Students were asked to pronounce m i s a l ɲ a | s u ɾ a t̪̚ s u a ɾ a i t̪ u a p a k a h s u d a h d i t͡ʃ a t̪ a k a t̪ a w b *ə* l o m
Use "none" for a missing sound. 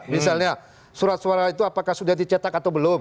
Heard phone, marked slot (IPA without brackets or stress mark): ə